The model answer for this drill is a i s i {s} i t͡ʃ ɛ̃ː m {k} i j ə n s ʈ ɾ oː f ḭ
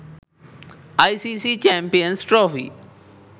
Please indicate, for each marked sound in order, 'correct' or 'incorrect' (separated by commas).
correct, incorrect